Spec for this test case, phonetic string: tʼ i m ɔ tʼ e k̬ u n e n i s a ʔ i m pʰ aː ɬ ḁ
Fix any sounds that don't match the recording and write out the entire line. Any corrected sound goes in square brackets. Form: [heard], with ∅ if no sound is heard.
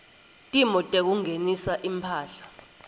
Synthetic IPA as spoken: tʼ i m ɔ tʼ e k̬ u [ŋ] e n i s a ʔ i m pʰ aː ɬ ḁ